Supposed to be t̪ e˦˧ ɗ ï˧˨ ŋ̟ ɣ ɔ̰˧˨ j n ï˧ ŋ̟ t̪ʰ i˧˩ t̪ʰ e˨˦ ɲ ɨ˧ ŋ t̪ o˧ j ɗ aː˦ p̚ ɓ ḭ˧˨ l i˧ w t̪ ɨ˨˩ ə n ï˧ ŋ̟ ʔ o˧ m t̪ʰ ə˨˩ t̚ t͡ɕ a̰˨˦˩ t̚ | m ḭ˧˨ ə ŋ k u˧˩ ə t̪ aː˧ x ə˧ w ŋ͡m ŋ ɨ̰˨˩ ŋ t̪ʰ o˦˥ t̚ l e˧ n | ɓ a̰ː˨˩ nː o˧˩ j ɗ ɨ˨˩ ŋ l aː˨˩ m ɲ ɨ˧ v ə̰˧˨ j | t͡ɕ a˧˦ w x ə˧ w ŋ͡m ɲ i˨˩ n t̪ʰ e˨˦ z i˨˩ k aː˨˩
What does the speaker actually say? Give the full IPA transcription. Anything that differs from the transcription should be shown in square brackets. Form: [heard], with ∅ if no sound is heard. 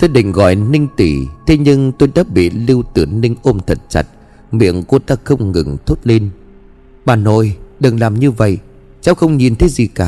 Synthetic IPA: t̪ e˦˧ ɗ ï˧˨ ŋ̟ ɣ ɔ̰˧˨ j n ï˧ ŋ̟ [t̪] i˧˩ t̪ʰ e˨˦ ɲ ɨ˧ ŋ t̪ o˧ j ɗ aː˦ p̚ ɓ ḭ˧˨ l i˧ w t̪ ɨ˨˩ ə n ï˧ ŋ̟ ʔ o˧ m t̪ʰ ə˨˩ t̚ t͡ɕ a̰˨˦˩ t̚ | m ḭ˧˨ ə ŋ k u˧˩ ə t̪ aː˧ x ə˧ w ŋ͡m ŋ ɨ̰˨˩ ŋ t̪ʰ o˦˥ t̚ l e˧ n | ɓ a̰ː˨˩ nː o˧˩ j ɗ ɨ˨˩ ŋ l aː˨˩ m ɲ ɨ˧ v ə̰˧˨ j | t͡ɕ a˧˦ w x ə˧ w ŋ͡m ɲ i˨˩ n t̪ʰ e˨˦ z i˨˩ k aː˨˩